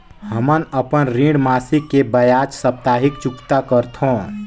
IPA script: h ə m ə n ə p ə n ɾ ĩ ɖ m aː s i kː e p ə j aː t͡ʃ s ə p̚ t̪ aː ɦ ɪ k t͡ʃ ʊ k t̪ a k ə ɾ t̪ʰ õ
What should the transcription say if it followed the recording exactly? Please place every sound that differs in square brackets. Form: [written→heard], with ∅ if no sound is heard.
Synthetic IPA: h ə m ə n ə p ə n ɾ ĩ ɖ m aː s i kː e [p→b] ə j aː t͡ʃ s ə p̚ t̪ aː ɦ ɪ k t͡ʃ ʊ k t̪ a k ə ɾ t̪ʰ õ